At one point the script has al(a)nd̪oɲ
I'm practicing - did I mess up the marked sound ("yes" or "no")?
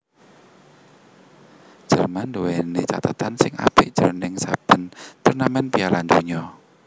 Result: no